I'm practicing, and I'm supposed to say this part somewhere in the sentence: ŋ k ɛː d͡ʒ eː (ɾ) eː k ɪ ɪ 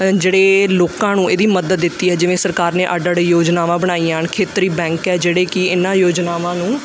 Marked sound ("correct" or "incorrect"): incorrect